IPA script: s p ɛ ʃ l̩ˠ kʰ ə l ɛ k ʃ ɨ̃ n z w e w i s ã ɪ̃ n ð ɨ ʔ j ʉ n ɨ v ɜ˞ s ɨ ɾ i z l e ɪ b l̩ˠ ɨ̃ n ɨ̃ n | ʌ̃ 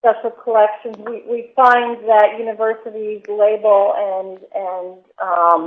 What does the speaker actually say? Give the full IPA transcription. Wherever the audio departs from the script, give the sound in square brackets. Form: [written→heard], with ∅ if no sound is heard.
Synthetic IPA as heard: s p ɛ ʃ l̩ˠ kʰ ə l ɛ k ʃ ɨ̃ n z w [e→i] w i [s→f] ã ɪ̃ n ð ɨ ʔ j ʉ n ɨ v ɜ˞ s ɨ ɾ i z l e ɪ b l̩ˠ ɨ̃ n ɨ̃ n | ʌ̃